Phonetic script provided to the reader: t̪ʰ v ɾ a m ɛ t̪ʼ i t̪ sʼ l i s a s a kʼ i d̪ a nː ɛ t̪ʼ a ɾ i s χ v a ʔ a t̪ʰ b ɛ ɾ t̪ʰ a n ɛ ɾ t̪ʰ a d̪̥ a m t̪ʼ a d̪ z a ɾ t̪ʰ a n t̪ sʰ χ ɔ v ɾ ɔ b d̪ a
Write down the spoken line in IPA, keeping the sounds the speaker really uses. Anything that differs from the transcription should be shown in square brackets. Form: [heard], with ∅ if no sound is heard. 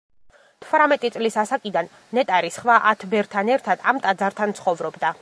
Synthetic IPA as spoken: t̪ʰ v ɾ a m ɛ t̪ʼ i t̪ sʼ l i s a s a kʼ i d̪ a nː ɛ t̪ʼ a ɾ i s χ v a ʔ a t̪ʰ b ɛ ɾ t̪ʰ a n ɛ ɾ t̪ʰ a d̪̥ a m t̪ʼ a d̪ z a ɾ t̪ʰ a n t̪ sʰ χ ɔ v ɾ ɔ b d̪ a